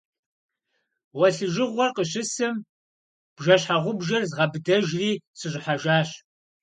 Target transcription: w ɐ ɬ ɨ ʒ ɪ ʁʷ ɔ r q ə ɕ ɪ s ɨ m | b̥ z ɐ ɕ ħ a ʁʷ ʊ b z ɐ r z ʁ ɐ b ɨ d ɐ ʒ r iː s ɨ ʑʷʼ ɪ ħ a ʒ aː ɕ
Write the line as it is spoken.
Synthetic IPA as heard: w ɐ ɬ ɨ ʒ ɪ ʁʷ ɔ r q ə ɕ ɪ s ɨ m | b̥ ʒ ɐ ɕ ħ a ʁʷ ʊ b ʒ ɐ r z ʁ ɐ b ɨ d ɐ ʒ r iː s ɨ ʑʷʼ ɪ ħ a ʒ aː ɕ